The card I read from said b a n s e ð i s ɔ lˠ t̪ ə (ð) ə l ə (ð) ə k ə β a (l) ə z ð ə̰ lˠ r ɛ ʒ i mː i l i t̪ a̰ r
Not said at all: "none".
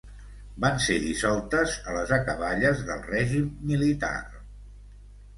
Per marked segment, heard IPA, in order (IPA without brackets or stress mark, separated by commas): z, z, ʎ